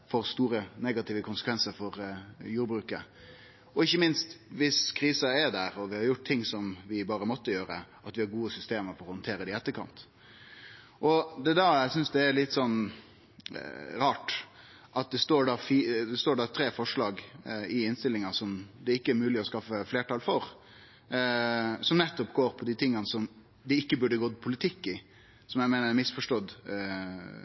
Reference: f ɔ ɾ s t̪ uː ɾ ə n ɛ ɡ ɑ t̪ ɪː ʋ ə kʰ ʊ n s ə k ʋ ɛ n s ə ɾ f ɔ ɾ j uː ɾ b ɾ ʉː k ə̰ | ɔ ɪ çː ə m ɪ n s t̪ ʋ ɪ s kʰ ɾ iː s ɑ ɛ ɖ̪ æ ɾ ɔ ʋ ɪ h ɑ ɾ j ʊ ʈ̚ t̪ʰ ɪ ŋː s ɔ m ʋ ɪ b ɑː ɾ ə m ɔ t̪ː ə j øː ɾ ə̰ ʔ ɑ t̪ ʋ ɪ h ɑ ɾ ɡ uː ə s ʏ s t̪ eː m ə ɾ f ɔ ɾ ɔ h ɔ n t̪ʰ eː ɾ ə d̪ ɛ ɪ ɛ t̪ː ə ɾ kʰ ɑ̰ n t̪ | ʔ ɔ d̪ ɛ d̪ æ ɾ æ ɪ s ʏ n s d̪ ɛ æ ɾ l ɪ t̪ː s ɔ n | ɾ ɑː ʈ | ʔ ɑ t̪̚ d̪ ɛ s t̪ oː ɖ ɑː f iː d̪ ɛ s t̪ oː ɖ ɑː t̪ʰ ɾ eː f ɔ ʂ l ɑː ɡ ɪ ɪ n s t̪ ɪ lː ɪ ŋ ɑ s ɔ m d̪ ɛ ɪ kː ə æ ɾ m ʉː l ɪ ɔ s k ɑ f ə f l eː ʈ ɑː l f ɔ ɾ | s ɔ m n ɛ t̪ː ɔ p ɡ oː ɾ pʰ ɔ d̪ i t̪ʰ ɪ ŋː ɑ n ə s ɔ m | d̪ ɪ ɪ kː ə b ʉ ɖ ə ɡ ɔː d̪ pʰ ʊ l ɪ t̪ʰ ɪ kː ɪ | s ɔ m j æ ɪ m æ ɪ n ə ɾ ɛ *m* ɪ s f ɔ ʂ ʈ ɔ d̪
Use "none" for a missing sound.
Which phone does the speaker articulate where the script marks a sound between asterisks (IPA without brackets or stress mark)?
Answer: m